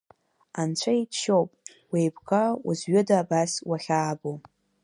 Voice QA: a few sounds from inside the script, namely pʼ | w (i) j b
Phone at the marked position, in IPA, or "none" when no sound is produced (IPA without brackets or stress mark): e